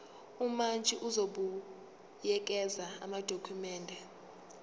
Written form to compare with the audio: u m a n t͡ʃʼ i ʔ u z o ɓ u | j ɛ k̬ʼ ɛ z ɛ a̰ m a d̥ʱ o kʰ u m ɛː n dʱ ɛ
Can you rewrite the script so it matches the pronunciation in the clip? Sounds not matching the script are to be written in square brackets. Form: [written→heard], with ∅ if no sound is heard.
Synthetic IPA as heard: u m a n t͡ʃʼ i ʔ u z o ɓ u | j ɛ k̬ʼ ɛ z [ɛ→a] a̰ m a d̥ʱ o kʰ u m ɛː n dʱ ɛ

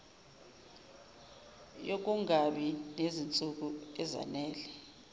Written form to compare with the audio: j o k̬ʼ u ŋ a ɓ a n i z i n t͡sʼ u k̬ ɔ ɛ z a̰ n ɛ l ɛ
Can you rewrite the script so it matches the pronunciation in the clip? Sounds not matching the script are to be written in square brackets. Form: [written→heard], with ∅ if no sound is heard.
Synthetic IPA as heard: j o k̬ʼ u ŋ a ɓ [a→i] n [i→e] z i n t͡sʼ u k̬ [ɔ→u] ɛ z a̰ n [ɛ→ɛː] l ɛ

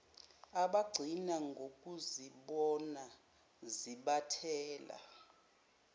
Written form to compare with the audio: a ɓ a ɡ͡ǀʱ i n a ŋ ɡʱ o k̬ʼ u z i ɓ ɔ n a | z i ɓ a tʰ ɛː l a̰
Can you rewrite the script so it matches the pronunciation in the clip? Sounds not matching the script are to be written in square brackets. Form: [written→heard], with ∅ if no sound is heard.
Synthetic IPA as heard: a ɓ a ɡ͡ǀʱ i n a ŋ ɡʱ o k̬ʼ u z i ɓ ɔ n a | z i ɓ a tʰ ɛː l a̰

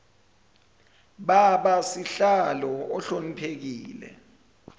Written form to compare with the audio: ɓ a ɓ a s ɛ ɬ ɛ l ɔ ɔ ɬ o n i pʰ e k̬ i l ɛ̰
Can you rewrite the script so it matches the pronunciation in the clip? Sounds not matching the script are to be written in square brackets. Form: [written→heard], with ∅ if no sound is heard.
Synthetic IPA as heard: ɓ a ɓ a s [ɛ→i] ɬ [ɛ→a] l ɔ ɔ ɬ o n i pʰ e k̬ [i→iː] l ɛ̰

